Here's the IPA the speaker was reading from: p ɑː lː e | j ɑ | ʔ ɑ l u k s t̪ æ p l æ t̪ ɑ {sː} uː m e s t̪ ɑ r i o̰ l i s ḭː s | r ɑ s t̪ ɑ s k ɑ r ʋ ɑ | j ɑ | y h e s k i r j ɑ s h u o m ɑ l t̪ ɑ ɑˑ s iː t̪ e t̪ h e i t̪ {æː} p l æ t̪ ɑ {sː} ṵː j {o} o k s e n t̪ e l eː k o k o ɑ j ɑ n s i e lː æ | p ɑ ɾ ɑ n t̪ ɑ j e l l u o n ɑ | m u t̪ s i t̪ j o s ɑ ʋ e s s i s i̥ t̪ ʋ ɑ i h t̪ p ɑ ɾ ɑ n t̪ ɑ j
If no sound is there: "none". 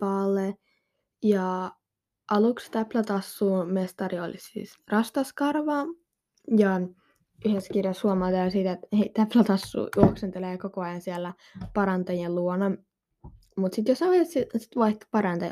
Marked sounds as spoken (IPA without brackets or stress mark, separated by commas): sː, æ, sː, u